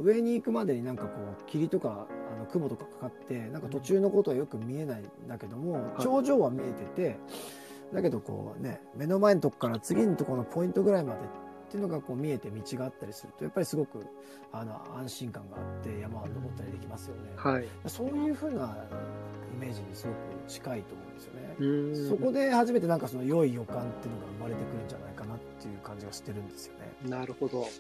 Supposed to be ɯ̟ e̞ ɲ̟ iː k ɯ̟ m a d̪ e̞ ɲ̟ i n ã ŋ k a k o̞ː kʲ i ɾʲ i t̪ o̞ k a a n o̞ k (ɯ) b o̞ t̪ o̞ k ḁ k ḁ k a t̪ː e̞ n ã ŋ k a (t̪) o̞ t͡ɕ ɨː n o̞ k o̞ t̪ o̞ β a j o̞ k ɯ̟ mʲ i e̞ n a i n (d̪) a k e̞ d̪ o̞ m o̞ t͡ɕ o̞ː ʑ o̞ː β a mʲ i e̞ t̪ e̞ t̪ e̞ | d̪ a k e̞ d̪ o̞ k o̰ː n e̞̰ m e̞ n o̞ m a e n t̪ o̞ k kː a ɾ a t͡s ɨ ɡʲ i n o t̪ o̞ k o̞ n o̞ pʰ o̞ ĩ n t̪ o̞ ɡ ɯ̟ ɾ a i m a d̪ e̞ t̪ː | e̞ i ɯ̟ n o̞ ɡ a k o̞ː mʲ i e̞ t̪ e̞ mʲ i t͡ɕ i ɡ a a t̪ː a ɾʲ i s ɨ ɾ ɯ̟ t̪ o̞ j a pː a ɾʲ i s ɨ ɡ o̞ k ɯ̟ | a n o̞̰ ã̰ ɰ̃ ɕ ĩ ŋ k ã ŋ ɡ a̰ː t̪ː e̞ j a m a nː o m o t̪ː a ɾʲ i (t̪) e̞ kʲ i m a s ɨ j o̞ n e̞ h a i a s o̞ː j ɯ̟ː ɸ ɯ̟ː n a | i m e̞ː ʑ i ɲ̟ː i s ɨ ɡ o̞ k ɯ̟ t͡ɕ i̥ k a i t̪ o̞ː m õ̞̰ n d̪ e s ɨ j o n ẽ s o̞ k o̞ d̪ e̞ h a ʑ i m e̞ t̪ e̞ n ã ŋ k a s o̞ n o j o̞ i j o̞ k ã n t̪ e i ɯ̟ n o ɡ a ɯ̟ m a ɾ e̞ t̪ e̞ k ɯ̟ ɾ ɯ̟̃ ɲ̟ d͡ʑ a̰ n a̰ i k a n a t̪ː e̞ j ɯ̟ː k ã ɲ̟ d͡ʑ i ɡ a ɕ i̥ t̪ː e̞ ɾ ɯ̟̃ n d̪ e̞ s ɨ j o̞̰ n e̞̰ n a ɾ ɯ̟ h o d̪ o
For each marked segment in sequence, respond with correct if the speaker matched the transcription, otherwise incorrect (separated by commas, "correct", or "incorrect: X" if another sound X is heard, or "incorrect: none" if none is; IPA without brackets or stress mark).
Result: correct, correct, correct, incorrect: d̪